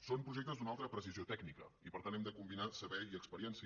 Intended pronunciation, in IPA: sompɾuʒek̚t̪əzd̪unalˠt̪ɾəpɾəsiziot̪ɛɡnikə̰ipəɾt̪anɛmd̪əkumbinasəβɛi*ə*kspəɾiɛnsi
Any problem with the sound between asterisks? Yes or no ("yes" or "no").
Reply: no